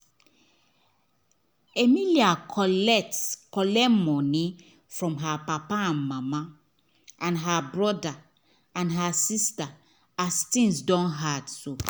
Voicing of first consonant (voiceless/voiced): voiced